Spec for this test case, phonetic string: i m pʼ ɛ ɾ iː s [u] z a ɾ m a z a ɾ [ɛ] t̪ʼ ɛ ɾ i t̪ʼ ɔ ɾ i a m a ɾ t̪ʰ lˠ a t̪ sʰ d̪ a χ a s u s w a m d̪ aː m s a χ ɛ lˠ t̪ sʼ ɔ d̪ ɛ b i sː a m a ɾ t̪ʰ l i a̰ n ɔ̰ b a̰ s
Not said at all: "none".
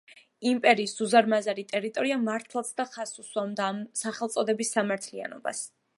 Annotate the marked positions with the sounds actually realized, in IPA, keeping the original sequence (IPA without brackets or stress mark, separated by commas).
u, i